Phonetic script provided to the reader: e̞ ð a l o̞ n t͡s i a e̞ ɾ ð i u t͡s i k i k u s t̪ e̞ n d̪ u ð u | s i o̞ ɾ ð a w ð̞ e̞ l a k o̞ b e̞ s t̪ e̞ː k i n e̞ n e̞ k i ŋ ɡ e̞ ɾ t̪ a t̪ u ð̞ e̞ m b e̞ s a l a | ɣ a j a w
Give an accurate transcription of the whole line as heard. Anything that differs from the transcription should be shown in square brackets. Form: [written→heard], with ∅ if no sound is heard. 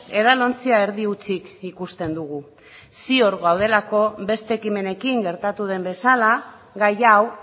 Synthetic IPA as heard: e̞ ð a l o̞ n t͡s i a e̞ ɾ ð i u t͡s i k i k u s t̪ e̞ n d̪ u [ð→ɣ] u | s i o̞ ɾ [ð→ɣ] a w ð̞ e̞ l a k o̞ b e̞ s t̪ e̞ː k i [n→m] e̞ n e̞ k i ŋ ɡ e̞ ɾ t̪ a t̪ u ð̞ e̞ m b e̞ s a l a | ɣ a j a w